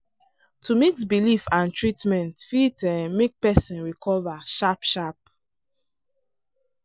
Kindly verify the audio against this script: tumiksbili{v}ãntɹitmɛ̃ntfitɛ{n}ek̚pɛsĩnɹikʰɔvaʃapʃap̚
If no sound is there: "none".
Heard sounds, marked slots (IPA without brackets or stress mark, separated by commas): f, m